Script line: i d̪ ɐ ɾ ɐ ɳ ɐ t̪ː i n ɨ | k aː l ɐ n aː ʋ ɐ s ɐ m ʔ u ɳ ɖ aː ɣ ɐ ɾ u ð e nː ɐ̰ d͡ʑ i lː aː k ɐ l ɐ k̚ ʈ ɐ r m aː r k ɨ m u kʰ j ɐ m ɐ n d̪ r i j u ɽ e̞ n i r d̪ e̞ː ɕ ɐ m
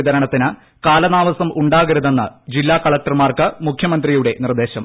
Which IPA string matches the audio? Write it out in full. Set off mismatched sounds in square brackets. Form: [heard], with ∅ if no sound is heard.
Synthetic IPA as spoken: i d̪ ɐ ɾ ɐ ɳ ɐ t̪ː i n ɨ | k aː l ɐ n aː ʋ ɐ s ɐ m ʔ u ɳ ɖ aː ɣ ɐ ɾ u ð e nː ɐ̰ d͡ʑ i lː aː k ɐ [ɭ] ɐ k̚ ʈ ɐ r m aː r k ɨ m u kʰ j ɐ m ɐ n d̪ r i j u ɽ e̞ n i r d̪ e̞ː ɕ ɐ m